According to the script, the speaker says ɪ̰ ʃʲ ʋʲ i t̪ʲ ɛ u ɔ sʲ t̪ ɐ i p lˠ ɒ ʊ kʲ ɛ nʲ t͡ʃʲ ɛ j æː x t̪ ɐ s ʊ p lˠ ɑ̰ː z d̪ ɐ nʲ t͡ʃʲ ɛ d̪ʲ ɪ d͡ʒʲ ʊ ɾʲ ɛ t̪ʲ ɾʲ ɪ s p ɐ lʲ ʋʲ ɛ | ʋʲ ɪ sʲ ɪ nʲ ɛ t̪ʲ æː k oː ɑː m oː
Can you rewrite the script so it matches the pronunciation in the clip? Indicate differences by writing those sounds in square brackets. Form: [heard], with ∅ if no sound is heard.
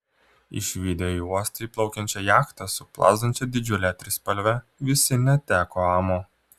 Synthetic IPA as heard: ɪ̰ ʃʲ ʋʲ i [d̪ʲ] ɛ u ɔ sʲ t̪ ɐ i p lˠ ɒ ʊ kʲ ɛ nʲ t͡ʃʲ ɛ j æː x t̪ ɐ s ʊ p lˠ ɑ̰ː z d̪ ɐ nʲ t͡ʃʲ ɛ d̪ʲ ɪ d͡ʒʲ ʊ [lʲ] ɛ t̪ʲ ɾʲ ɪ s p ɐ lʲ ʋʲ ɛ | ʋʲ ɪ sʲ ɪ nʲ ɛ t̪ʲ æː k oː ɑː m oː